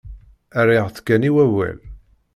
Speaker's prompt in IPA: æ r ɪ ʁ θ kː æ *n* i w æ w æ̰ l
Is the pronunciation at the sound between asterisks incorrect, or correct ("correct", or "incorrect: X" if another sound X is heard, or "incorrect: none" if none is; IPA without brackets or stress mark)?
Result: correct